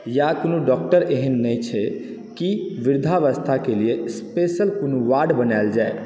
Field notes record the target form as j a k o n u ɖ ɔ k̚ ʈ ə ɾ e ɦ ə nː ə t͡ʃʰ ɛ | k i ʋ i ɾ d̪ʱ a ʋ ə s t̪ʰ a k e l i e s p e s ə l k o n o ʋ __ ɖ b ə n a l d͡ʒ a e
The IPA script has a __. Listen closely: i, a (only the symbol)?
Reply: a